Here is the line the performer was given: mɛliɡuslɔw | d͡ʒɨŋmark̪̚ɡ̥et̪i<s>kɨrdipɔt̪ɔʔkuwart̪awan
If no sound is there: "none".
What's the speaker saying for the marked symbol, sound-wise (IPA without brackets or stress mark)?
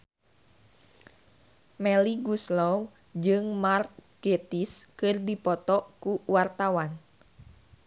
s